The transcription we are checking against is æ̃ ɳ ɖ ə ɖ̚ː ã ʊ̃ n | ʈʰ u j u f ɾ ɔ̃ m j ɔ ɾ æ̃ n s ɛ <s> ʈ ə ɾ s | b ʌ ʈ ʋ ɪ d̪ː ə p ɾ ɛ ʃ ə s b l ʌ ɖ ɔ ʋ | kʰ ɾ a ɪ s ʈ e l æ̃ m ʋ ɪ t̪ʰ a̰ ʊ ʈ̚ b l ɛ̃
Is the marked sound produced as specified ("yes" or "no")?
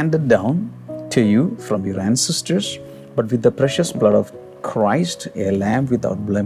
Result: yes